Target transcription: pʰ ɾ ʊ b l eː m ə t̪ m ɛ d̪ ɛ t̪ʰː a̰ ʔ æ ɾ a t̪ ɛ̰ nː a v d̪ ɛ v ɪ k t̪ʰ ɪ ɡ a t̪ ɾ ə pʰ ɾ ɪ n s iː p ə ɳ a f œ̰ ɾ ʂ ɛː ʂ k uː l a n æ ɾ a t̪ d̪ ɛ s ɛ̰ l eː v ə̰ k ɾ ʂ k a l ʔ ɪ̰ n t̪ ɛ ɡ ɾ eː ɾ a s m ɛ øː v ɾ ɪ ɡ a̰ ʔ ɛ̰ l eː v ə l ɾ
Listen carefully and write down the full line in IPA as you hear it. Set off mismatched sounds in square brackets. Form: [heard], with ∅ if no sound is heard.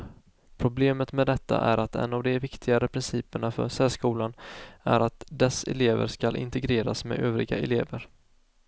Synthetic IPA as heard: pʰ ɾ ʊ b l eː m ə t̪ m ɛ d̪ ɛ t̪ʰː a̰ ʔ æ ɾ a t̪ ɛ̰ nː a v d̪ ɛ v ɪ k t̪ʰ ɪ ɡ a [∅] ɾ ə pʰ ɾ ɪ n s iː p ə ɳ a f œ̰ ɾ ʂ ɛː ʂ k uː l a n æ ɾ a t̪ d̪ ɛ s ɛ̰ l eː v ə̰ [∅] ɾ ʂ k a l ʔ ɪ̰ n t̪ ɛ ɡ ɾ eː ɾ a s m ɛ øː v ɾ ɪ ɡ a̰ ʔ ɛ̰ l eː v ə [∅] ɾ